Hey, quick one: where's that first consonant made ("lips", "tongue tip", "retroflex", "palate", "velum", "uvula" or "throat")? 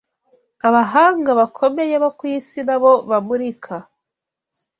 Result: lips